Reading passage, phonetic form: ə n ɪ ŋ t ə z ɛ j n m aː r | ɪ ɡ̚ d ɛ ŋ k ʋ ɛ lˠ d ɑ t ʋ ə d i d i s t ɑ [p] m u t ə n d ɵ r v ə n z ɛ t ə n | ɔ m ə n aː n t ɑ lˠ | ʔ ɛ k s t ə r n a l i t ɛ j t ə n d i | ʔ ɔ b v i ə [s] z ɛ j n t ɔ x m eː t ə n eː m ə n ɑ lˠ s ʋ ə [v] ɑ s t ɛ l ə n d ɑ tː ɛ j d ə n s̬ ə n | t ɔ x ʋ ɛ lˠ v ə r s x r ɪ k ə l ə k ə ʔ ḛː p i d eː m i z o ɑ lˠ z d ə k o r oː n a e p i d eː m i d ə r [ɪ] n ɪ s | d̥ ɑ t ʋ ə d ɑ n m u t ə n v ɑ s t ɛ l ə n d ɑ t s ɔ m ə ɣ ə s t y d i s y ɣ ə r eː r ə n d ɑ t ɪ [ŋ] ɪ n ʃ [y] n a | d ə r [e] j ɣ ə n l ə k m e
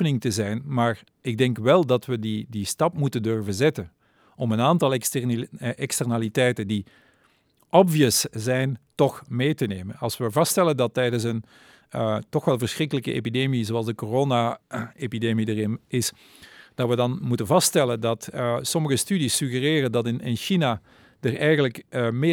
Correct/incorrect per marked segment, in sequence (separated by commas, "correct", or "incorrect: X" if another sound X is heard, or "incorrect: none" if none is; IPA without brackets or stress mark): correct, correct, correct, correct, incorrect: n, incorrect: i, incorrect: ɛ